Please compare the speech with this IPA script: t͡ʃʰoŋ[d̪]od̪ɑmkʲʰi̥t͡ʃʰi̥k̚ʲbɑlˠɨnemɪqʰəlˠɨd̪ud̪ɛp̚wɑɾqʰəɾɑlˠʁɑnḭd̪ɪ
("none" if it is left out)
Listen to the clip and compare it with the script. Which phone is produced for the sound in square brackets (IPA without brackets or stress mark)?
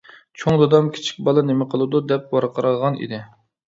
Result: d̪